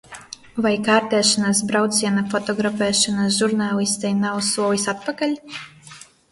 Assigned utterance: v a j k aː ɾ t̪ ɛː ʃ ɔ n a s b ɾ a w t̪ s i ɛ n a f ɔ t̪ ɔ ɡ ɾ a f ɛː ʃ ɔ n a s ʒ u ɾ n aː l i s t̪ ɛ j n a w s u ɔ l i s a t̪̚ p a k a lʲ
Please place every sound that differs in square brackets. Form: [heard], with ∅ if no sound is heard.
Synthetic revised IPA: v a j k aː ɾ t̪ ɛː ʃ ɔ n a s b ɾ a w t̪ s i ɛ n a f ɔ t̪ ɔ ɡ ɾ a f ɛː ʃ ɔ n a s ʒ u ɾ n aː l i s t̪ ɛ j n a w s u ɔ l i s a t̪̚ p a k a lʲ